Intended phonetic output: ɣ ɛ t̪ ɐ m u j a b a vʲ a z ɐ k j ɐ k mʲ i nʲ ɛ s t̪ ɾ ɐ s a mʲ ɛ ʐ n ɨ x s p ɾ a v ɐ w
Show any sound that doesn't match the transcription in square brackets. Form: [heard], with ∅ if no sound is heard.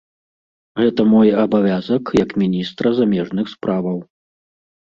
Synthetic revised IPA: ɣ ɛ t̪ ɐ m [ɔ] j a b a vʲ a z ɐ k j ɐ k mʲ i nʲ [i] s t̪ ɾ ɐ [z] a mʲ ɛ ʐ n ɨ x s p ɾ a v ɐ w